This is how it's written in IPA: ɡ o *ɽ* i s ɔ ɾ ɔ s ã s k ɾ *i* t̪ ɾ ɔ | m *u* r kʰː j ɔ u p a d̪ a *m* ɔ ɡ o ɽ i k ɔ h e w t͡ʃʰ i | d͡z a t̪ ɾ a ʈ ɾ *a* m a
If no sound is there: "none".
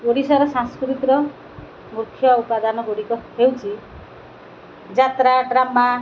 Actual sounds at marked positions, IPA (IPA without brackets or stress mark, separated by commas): ɽ, i, u, n, a